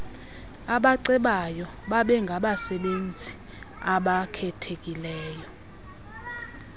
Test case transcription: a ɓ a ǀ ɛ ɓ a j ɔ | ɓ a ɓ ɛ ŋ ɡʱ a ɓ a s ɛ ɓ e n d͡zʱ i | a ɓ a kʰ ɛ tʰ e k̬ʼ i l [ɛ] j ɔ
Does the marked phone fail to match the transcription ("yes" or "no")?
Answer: yes